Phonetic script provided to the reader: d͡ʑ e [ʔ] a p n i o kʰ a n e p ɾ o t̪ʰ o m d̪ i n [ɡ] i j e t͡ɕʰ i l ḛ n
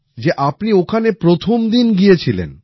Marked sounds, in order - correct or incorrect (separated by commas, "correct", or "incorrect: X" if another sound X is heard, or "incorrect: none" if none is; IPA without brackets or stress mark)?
correct, correct